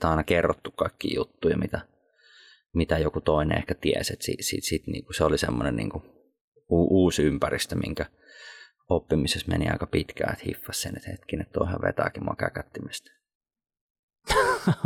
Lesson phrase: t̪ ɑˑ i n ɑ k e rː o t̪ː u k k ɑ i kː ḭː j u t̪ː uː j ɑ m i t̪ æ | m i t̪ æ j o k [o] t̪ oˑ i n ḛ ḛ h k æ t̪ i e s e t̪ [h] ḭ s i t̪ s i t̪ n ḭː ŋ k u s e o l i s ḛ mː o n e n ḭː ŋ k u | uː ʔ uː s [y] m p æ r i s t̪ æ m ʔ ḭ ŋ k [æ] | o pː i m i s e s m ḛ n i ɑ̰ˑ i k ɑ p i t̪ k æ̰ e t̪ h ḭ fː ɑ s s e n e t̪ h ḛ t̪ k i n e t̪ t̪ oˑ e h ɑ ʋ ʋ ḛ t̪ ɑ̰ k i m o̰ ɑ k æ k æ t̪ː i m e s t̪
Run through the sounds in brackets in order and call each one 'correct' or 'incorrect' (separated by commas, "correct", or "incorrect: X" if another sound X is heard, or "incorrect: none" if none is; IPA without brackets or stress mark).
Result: incorrect: u, incorrect: s, correct, correct